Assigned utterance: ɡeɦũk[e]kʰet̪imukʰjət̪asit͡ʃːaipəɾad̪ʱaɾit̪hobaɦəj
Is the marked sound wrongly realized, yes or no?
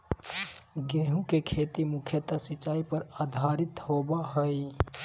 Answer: no